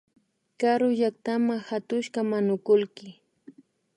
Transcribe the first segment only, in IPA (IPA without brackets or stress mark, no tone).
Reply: k